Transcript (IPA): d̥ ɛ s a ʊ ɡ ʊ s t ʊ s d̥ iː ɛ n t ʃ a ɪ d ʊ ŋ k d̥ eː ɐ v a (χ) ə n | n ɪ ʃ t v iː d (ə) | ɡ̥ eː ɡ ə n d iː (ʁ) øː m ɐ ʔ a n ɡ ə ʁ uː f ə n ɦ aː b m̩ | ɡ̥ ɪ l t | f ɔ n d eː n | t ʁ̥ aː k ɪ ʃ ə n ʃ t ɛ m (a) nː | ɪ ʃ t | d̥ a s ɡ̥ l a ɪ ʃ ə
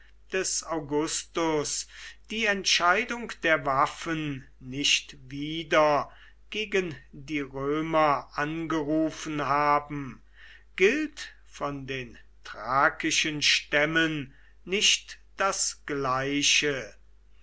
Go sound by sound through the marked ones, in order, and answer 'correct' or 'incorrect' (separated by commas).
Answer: incorrect, incorrect, correct, incorrect